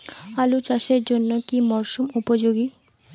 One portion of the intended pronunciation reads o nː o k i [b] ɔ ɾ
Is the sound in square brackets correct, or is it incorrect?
incorrect